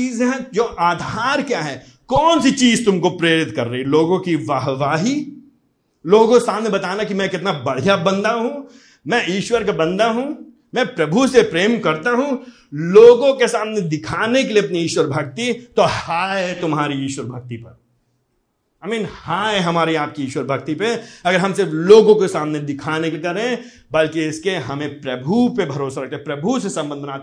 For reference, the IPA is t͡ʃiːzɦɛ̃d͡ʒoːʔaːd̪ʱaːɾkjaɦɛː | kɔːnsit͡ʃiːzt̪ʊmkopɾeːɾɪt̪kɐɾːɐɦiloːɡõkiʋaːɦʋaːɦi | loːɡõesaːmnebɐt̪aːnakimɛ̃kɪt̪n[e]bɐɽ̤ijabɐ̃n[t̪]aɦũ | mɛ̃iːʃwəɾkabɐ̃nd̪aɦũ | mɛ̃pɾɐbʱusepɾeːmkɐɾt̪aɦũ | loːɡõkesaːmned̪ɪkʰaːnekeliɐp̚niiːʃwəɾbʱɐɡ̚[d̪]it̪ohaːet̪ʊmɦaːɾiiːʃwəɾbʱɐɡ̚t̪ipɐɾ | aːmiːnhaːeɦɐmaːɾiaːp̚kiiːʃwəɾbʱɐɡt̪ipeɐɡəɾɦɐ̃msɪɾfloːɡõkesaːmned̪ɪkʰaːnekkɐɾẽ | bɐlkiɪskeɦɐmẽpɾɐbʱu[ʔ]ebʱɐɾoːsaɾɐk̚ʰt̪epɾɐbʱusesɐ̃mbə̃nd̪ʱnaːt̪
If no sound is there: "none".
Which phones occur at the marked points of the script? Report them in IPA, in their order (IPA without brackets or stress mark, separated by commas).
a, d̪, t̪, p